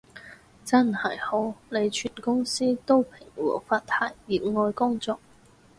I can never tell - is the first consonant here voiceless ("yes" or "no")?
yes